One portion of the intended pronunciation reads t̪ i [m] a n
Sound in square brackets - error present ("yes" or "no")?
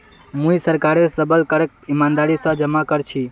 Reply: no